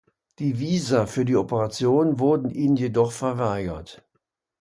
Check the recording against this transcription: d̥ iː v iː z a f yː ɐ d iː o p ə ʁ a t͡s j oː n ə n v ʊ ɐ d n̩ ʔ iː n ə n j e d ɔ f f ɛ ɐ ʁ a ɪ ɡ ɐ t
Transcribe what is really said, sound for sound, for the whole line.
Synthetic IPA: d̥ iː v iː z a f yː ɐ d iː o p ə ʁ a t͡s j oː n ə n v ʊ ɐ d n̩ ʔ iː n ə n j e d ɔ χ f ɛ ɐ v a ɪ ɡ ɐ t